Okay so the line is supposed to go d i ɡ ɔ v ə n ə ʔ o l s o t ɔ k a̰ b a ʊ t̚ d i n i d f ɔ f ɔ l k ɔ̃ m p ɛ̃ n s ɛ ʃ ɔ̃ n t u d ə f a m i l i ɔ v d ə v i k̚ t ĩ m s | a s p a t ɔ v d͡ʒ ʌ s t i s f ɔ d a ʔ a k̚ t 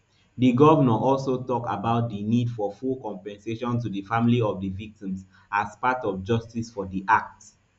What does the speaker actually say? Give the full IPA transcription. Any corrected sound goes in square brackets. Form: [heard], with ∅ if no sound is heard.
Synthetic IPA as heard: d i ɡ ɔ v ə n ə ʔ [ɔ] l s o t ɔ k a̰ b a ʊ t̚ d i n i d f ɔ f [u] l k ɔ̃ m p ɛ̃ n s [e] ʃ ɔ̃ n t u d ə f a m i l i ɔ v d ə v i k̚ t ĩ m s | a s p a t ɔ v d͡ʒ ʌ s t i s f ɔ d [i] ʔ a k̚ t